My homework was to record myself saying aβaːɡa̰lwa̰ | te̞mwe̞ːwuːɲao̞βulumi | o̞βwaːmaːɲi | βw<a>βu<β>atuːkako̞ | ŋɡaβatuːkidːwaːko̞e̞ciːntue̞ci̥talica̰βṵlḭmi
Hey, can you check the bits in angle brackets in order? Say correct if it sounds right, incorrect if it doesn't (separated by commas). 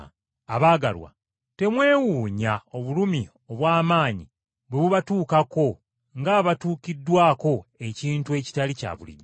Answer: incorrect, correct